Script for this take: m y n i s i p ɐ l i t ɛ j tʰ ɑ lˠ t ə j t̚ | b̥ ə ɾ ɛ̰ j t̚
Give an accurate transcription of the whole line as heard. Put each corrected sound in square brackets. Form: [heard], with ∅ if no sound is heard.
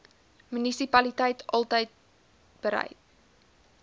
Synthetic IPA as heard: m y n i s i p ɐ l i t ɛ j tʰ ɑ lˠ t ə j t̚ | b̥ ə ɾ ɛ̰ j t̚

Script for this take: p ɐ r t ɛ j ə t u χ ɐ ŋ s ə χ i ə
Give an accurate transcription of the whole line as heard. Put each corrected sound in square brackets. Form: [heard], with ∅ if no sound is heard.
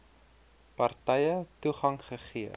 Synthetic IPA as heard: p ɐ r t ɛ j ə t u χ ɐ ŋ [χ] ə χ i ə

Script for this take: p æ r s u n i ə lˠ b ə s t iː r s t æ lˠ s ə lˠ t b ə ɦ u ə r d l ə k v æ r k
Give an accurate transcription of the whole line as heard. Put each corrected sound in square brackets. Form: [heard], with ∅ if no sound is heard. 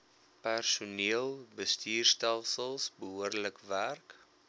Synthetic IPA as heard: p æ r s u n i ə lˠ b ə s t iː r s t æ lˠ s ə lˠ [s] b ə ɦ u ə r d l ə k v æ r k

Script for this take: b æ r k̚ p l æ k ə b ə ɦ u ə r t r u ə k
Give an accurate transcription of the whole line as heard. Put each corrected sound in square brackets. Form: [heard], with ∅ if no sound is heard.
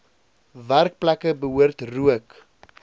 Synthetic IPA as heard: [v] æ r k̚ p l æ k ə b ə ɦ u ə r t r u ə k

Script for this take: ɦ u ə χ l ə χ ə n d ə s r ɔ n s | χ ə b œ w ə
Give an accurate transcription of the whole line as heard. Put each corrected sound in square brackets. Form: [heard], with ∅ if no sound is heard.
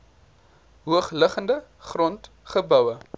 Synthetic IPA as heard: ɦ u ə χ l ə χ ə n d ə [χ] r ɔ n [t] | χ ə b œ w ə

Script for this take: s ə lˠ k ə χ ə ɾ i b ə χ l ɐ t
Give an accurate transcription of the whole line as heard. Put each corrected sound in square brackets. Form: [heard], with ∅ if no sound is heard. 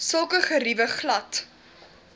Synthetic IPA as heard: s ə lˠ k ə χ ə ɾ i [v] ə χ l ɐ t

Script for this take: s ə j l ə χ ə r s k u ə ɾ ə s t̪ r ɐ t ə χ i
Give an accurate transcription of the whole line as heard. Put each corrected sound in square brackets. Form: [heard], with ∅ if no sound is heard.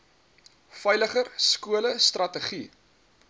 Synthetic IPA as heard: [f] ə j l ə χ ə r s k u ə [l] ə s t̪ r ɐ t ə χ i

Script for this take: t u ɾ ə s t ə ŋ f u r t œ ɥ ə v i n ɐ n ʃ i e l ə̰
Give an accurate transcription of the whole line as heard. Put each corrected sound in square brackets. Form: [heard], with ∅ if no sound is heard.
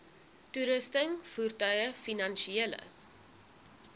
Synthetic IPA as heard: t u ɾ ə s t ə ŋ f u r t œ ɥ ə [f] i n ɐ n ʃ i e l ə̰

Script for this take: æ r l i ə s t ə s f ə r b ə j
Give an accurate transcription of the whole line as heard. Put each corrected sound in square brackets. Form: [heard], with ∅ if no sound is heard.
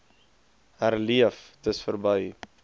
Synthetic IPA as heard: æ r l i ə [f] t ə s f ə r b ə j

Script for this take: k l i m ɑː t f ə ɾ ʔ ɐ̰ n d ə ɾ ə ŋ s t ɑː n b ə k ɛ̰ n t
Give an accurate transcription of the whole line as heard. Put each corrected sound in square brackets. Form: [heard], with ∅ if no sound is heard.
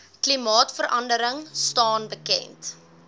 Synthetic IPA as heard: k l i m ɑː t f ə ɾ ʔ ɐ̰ n d ə ɾ ə ŋ s t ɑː n b ə k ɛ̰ n t

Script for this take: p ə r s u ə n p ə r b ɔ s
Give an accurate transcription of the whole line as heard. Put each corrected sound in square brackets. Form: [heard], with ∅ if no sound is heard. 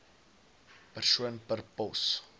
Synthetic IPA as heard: p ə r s u ə n p ə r [p] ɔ s

